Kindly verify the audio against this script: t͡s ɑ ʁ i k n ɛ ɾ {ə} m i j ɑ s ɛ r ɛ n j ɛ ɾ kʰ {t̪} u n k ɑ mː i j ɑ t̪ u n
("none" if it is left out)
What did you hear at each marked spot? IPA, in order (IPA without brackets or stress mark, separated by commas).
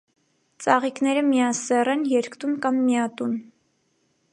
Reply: ə, t̪